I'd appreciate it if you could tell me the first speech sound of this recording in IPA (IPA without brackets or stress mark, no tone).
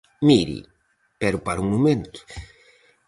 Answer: m